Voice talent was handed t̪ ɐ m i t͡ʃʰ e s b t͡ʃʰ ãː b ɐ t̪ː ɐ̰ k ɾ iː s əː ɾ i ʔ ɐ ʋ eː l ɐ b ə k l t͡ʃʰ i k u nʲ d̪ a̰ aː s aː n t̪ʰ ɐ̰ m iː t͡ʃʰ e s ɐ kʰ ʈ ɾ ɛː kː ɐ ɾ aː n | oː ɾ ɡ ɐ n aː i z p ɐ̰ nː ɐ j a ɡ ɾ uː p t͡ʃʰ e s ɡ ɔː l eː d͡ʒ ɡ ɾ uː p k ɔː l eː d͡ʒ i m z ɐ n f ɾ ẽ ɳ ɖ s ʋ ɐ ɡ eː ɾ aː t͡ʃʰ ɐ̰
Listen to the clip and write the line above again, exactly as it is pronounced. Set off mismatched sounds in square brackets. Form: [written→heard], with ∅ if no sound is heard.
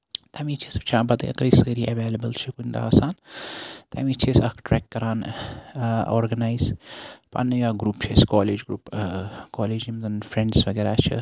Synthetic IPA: t̪ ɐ m i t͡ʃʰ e s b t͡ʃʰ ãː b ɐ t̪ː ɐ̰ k ɾ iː s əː ɾ i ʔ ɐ ʋ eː l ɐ b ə [k→∅] l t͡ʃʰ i k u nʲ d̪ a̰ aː s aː n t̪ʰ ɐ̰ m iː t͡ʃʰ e s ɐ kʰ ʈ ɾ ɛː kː ɐ ɾ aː n | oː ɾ ɡ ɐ n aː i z p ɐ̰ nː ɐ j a ɡ ɾ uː p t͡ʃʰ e s [ɡ→k] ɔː l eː d͡ʒ ɡ ɾ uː p k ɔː l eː d͡ʒ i m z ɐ n f ɾ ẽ ɳ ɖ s ʋ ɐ ɡ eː ɾ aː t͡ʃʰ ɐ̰